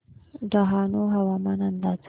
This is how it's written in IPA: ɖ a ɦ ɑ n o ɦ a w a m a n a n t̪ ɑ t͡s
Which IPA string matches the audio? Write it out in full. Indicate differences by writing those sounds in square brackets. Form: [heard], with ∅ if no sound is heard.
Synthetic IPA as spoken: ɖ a ɦ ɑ n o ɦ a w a m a n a n [d̪] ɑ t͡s